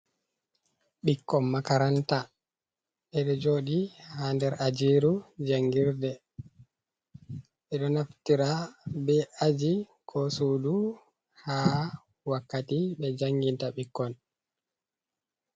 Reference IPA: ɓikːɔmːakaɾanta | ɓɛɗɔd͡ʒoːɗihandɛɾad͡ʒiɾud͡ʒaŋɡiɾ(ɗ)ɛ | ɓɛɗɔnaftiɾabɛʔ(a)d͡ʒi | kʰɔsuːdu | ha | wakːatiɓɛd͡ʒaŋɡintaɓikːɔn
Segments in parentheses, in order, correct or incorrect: incorrect: d, correct

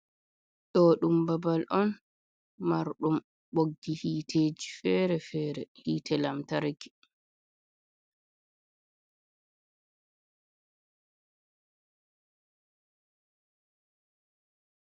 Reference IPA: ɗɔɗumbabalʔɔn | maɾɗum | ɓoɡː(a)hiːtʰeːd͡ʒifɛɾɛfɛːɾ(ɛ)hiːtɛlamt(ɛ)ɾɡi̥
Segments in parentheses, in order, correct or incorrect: incorrect: i, correct, incorrect: a

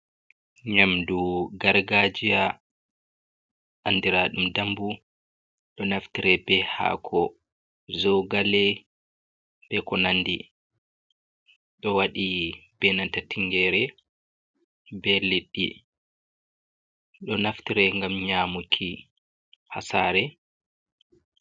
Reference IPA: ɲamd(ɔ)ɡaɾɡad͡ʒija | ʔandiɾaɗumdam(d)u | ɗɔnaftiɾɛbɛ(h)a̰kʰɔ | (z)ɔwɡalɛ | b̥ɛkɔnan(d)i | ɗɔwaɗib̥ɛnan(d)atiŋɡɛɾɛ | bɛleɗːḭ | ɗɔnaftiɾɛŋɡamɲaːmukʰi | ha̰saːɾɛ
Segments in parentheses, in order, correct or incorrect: incorrect: u, incorrect: b, correct, correct, correct, incorrect: t

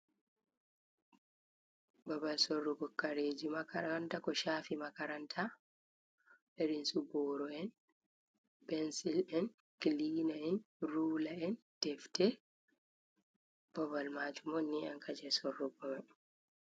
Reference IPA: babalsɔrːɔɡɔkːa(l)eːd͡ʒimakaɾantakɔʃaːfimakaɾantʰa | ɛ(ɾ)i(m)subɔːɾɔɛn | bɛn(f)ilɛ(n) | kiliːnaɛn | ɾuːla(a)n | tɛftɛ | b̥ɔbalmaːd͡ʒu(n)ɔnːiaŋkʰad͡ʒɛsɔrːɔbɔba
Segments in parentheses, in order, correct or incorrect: incorrect: ɾ, correct, incorrect: n, incorrect: s, correct, incorrect: ɛ, incorrect: m

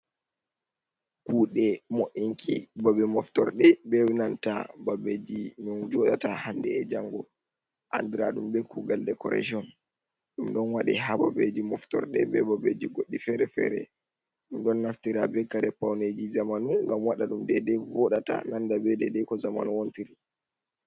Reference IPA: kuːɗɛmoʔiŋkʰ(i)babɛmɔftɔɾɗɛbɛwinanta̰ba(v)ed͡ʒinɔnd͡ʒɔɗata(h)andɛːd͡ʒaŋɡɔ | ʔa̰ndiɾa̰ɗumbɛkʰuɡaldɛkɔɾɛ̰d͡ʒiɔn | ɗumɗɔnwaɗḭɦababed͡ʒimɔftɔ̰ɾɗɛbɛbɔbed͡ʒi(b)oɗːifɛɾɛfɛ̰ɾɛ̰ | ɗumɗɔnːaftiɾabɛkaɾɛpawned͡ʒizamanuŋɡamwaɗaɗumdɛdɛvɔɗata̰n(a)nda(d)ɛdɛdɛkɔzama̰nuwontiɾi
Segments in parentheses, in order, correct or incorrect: correct, incorrect: b, correct, incorrect: ɡ, correct, incorrect: b

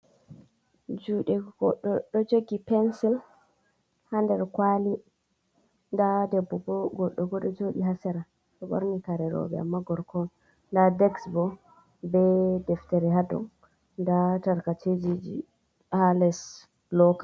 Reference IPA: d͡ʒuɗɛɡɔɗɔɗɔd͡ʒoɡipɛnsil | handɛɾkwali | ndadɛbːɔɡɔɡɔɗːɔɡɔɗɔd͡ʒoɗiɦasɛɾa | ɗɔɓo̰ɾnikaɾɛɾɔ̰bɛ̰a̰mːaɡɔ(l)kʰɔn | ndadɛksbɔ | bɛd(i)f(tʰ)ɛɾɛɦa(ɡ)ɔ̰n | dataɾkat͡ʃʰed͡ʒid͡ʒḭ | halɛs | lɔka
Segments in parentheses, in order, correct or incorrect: incorrect: ɾ, incorrect: ɛ, incorrect: t, incorrect: d

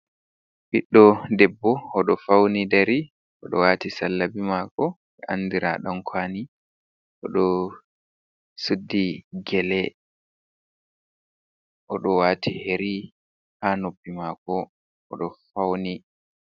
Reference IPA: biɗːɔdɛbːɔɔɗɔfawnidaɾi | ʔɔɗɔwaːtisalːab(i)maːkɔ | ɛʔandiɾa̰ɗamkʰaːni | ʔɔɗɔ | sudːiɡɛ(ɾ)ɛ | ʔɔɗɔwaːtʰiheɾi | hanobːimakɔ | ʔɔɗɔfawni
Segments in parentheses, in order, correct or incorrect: correct, incorrect: l

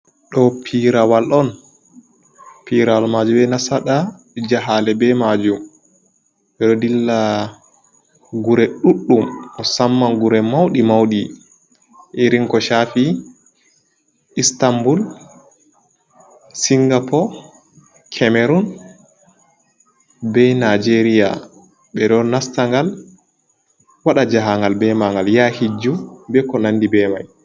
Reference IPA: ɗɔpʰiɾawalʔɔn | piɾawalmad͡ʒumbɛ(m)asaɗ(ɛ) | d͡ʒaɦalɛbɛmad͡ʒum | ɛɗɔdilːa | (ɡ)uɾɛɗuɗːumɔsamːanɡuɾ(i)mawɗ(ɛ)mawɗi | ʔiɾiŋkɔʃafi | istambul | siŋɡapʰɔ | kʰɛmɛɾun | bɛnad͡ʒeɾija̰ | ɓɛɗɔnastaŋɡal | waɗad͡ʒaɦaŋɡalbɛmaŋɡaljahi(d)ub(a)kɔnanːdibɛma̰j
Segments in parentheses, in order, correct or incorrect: incorrect: n, incorrect: a, correct, incorrect: ɛ, incorrect: i, incorrect: d͡ʒ, incorrect: ɛ

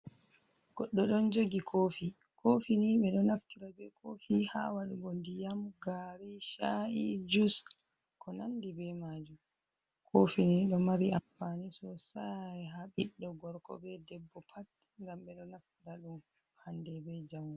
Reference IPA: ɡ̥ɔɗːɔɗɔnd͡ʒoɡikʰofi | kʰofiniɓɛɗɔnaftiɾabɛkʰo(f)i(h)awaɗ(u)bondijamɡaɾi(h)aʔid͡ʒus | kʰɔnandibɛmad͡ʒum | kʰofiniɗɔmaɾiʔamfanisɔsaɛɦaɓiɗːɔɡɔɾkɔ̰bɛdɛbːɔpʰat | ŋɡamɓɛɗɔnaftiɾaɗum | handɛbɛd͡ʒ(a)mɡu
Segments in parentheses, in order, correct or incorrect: correct, correct, correct, incorrect: ʃ, correct

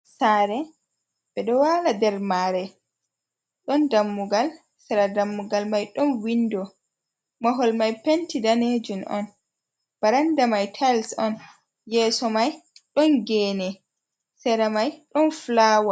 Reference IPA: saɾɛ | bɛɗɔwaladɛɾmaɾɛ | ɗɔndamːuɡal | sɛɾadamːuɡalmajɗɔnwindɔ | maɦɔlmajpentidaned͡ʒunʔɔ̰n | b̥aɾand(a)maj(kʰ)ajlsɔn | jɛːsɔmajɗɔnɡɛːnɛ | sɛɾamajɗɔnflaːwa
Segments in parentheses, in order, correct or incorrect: correct, incorrect: tʰ

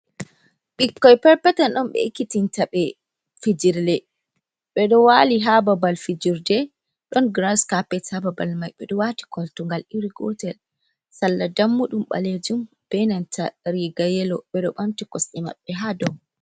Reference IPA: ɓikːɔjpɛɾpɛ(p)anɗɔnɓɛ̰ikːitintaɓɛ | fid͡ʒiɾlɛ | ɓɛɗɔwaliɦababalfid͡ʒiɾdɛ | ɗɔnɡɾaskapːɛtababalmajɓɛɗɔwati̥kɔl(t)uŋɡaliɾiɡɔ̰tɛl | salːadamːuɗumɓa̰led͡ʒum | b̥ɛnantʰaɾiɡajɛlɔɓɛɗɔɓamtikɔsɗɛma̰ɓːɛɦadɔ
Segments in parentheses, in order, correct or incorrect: incorrect: t, correct

